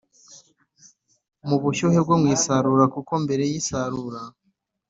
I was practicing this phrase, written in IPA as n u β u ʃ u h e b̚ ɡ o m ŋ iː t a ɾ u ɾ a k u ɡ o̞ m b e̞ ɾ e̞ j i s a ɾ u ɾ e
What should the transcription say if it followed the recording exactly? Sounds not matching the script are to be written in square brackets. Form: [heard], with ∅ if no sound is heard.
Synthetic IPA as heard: [m] u β u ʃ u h e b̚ ɡ o m ŋ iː [s] a ɾ u ɾ a k u [k] o̞ m b e̞ ɾ e̞ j i s a ɾ u ɾ [a]